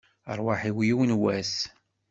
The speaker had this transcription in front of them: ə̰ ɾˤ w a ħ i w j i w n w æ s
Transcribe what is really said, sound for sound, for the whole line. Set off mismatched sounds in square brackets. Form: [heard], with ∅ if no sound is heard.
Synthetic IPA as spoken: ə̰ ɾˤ w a ħ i w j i w n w æ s